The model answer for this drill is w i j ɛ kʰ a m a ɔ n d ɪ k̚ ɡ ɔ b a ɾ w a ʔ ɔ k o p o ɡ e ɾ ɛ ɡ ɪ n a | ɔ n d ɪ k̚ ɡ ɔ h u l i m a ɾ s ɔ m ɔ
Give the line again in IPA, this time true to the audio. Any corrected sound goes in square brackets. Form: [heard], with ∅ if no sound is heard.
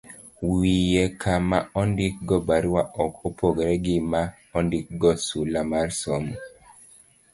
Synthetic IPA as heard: w i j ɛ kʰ a m a ɔ n d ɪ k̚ ɡ ɔ b a ɾ w a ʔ ɔ k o p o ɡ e ɾ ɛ ɡ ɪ [m] a | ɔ n d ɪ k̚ ɡ ɔ [s] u l [a] m a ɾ s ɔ m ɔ

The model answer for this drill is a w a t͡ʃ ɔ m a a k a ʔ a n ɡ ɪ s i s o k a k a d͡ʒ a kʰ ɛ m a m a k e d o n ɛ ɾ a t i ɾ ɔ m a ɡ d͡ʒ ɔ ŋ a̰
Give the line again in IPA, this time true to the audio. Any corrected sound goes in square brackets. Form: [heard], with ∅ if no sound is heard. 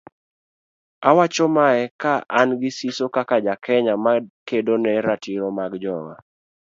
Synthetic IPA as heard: a w a t͡ʃ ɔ m a [ɛ] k a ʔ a n ɡ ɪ s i s o k a k a d͡ʒ a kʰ ɛ [ɲ] a m a k e d o n ɛ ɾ a t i ɾ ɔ m a ɡ d͡ʒ ɔ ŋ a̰

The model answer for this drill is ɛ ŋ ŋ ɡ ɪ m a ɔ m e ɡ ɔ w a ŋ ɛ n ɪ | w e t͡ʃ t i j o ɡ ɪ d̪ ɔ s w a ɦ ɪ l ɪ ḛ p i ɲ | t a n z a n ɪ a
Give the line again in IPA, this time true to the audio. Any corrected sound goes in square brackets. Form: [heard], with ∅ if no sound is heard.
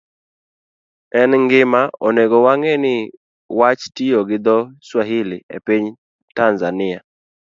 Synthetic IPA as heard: ɛ [n] ŋ ɡ ɪ m a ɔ [n] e ɡ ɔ w a ŋ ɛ n ɪ | w [a] t͡ʃ t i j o ɡ ɪ d̪ ɔ s w a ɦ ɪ l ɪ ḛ p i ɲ | t a n z a n ɪ a

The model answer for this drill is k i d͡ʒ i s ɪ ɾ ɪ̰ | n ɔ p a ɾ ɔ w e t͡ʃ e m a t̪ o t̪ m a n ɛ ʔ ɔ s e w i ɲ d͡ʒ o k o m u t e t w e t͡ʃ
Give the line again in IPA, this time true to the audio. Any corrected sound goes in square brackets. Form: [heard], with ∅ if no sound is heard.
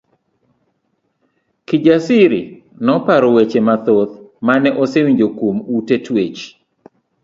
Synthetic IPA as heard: k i d͡ʒ [a] s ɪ ɾ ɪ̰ | n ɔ p a ɾ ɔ w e t͡ʃ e m a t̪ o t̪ m a n ɛ ʔ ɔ s e w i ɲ d͡ʒ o k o m u t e t w e t͡ʃ

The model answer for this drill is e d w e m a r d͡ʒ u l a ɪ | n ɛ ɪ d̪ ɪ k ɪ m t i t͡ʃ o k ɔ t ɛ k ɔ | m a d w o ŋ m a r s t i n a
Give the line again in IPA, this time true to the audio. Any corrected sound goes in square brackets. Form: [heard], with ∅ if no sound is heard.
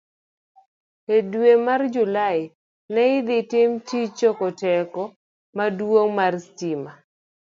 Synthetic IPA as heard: e d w e m a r d͡ʒ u l a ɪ | n ɛ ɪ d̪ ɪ [t] ɪ m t i t͡ʃ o k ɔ t ɛ k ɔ | m a d w o ŋ m a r s t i [m] a

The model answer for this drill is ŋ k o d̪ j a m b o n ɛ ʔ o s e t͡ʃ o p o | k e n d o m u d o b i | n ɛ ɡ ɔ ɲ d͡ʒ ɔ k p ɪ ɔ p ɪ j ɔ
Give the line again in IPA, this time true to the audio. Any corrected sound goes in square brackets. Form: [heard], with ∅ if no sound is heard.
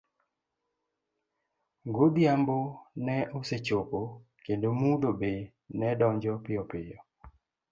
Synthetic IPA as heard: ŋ [ɡ] o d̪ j a m b o n ɛ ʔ o s e t͡ʃ o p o | k e n d o m u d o b [e] | n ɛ [d] ɔ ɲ d͡ʒ ɔ [∅] p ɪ ɔ p ɪ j ɔ

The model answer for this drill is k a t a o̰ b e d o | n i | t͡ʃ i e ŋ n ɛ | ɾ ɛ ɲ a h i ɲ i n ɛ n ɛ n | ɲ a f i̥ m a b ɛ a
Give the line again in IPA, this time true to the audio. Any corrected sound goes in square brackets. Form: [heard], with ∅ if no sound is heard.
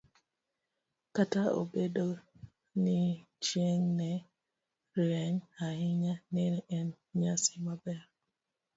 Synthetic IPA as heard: k a t a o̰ b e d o | n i | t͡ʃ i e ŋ n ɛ | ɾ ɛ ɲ a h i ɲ [a] n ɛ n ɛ n | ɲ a [s] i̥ m a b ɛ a

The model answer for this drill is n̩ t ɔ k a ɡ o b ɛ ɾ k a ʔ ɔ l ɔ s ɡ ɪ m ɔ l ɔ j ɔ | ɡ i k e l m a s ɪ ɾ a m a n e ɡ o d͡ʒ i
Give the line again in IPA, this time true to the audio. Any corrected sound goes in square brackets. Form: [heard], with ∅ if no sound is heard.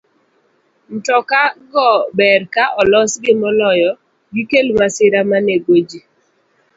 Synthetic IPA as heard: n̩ t ɔ k a ɡ [ɔ] b ɛ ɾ k a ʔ ɔ l ɔ s ɡ ɪ m ɔ l ɔ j ɔ | ɡ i k e l m a s ɪ ɾ a m a n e ɡ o d͡ʒ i

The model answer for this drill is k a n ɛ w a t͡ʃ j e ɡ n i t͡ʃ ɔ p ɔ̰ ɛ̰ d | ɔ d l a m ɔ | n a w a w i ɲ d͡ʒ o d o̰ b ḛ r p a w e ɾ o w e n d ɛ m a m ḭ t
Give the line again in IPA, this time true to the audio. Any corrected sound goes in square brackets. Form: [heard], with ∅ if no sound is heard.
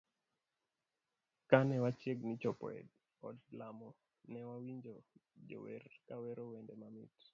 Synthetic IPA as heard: k a n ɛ w a t͡ʃ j e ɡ n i t͡ʃ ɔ p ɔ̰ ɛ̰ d | ɔ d l a m ɔ | n [ɛ] w a w i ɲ d͡ʒ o [d͡ʒ] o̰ [w] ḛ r [k] a w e ɾ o w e n d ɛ m a m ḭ t

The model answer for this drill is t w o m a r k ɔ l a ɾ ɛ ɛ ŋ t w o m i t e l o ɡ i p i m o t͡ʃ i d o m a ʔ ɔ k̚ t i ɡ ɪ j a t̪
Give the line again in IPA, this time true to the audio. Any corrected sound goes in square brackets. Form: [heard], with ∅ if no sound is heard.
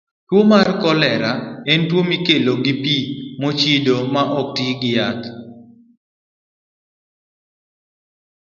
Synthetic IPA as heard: t w o m a r k ɔ l [ɛ] ɾ [a] ɛ [n] t w o m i [k] e l o ɡ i p i m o t͡ʃ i d o m a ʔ ɔ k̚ t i ɡ ɪ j a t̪

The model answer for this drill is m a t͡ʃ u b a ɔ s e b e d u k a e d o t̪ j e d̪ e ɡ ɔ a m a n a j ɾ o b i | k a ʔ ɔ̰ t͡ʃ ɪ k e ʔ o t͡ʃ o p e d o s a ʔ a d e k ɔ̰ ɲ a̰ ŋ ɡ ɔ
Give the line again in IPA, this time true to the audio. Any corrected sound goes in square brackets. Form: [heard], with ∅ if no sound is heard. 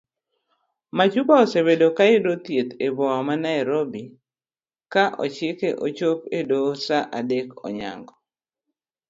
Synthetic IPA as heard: m a t͡ʃ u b a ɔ s e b e d [o] k a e d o t̪ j e [t̪] e [b] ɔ a m a n a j ɾ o b i | k a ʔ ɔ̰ t͡ʃ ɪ k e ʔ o t͡ʃ o p e d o s a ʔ a d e k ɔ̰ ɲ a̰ ŋ ɡ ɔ

